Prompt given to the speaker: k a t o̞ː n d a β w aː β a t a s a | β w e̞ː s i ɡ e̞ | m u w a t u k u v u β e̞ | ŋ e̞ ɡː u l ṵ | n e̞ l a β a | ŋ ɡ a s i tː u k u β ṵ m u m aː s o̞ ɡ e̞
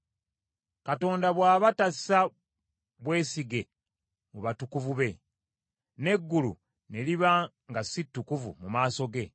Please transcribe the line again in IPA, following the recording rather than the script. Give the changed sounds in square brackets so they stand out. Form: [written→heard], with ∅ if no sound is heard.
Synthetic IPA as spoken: k a t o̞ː n d a β w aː β a t a s a | β w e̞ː s i ɡ e̞ | m u [w→β] a t u k u v u β e̞ | [ŋ→n] e̞ ɡː u l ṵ | n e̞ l [a→i] β a | ŋ ɡ a s i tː u k u [β→v] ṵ m u m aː s o̞ ɡ e̞